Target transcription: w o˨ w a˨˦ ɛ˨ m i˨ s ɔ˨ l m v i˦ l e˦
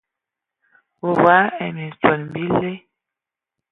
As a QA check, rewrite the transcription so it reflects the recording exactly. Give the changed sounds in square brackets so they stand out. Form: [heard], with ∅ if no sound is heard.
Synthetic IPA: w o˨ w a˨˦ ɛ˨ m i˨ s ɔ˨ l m [b] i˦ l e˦